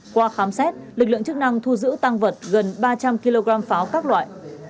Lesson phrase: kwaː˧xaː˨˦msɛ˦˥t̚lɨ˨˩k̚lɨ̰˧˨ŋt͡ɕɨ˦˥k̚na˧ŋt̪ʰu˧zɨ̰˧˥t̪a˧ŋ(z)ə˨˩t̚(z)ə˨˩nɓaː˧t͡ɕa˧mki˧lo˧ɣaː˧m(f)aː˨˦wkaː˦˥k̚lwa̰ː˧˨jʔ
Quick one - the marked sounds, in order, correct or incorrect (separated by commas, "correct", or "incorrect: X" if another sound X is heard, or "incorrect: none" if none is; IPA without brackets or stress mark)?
incorrect: v, incorrect: ɣ, correct